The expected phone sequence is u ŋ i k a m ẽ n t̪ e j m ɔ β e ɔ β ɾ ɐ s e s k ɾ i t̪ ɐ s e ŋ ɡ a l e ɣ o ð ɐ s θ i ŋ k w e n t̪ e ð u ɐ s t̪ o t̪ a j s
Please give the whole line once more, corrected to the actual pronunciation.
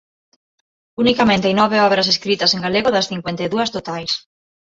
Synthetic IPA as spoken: u n i k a m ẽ n t̪ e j n ɔ β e ɔ β ɾ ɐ s e s k ɾ i t̪ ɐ s e ŋ ɡ a l e ɣ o ð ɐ s θ i ŋ k w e n t̪ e ð u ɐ s t̪ o t̪ a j s